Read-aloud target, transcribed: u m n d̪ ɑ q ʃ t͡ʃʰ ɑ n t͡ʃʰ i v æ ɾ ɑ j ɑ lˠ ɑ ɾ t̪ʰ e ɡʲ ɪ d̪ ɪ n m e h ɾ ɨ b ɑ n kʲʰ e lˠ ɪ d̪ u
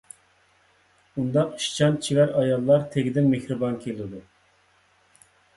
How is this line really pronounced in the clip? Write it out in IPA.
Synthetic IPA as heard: u n d̪ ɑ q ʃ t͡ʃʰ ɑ n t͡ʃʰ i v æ ɾ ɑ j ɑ lˠː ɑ ɾ t̪ʰ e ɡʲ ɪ d̪ ɪ n m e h ɾ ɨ b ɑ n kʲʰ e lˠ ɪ d̪ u